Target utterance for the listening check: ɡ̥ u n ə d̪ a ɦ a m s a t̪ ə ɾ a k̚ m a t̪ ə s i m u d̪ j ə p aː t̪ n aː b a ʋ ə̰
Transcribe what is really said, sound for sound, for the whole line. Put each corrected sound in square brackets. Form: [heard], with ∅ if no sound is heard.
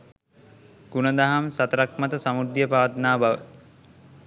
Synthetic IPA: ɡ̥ u n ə d̪ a ɦ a m s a t̪ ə ɾ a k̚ m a t̪ ə s [a] m u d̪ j ə p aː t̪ n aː b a ʋ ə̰